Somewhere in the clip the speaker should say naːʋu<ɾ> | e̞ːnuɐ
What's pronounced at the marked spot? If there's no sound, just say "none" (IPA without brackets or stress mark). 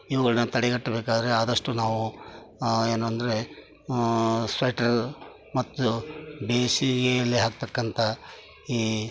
none